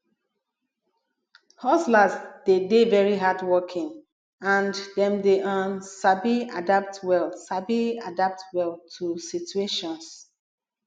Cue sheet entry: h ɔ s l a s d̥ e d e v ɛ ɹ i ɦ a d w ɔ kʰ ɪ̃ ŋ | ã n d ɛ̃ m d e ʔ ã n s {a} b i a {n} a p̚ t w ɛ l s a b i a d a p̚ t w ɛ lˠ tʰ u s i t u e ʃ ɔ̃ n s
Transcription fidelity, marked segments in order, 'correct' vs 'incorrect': correct, incorrect

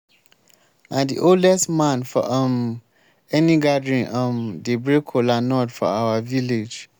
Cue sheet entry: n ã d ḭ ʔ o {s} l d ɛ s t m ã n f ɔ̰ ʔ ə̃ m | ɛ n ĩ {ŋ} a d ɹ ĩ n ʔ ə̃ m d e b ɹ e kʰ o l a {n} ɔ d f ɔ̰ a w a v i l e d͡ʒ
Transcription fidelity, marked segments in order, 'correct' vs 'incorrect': incorrect, incorrect, correct

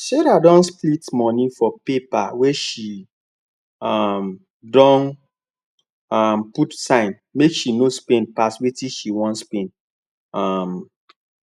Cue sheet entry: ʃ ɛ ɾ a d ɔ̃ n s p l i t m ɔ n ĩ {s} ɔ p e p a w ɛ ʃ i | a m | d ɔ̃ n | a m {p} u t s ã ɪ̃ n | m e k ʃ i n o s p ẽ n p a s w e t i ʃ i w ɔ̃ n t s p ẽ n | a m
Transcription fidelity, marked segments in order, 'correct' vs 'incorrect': incorrect, correct

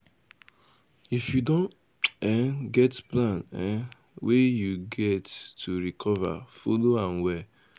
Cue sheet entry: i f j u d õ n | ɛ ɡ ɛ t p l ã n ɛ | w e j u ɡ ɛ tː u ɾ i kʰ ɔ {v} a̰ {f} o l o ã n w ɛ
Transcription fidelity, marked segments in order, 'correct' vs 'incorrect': correct, correct

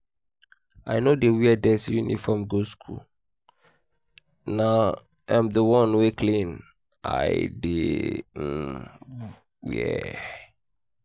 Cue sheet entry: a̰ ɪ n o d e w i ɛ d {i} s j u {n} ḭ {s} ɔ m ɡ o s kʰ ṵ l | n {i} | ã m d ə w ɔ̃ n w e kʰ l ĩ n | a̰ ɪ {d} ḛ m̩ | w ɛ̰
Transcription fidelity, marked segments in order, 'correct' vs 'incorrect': incorrect, correct, incorrect, incorrect, correct

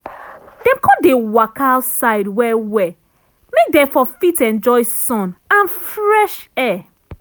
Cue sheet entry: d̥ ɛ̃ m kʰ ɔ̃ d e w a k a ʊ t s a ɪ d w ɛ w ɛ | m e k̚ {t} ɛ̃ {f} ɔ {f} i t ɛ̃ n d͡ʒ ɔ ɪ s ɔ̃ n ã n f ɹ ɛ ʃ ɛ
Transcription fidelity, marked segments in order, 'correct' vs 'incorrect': incorrect, correct, correct

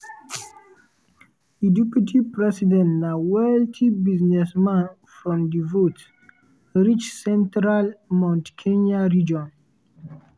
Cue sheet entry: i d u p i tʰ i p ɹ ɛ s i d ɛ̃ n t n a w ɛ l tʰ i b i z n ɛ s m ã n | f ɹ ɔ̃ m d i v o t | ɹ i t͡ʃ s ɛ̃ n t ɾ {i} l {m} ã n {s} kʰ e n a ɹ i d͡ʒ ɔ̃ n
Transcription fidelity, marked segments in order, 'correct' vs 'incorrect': incorrect, correct, incorrect

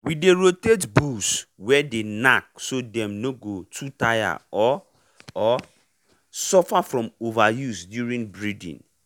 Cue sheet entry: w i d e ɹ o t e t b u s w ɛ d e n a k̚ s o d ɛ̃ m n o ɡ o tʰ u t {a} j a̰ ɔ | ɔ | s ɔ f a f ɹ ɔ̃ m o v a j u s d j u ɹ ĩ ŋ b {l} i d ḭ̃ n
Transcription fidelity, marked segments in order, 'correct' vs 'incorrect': correct, incorrect

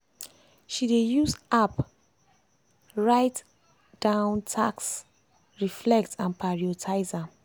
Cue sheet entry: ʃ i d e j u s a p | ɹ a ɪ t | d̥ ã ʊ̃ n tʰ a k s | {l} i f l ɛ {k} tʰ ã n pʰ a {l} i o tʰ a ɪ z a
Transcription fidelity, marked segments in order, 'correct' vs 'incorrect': incorrect, correct, incorrect

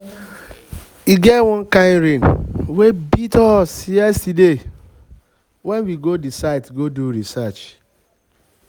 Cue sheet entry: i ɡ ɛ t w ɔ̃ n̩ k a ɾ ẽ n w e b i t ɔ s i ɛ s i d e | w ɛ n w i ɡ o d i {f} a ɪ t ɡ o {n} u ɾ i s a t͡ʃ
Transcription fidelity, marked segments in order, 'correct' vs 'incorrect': incorrect, incorrect

